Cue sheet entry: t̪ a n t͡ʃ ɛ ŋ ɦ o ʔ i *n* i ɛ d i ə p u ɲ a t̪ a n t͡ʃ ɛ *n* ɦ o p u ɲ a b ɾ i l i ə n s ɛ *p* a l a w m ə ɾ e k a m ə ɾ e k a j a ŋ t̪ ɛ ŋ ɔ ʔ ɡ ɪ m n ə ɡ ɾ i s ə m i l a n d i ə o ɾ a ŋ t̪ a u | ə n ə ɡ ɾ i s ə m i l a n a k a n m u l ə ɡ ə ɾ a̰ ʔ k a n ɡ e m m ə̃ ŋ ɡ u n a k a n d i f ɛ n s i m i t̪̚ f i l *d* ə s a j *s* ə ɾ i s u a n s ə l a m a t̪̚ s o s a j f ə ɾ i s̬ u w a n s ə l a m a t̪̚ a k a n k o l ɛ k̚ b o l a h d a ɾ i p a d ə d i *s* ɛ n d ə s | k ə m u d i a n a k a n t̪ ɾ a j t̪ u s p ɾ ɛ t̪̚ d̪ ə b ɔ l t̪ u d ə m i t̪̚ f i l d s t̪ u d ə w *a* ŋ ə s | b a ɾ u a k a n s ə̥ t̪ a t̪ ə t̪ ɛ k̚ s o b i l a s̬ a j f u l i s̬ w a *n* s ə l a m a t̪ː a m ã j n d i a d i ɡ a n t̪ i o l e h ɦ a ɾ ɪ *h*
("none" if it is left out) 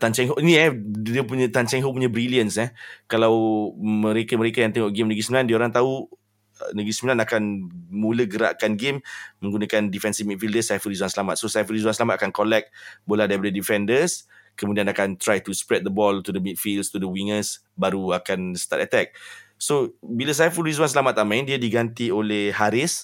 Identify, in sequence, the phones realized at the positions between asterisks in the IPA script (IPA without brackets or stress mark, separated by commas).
n, ŋ, k, d, f, f, i, n, s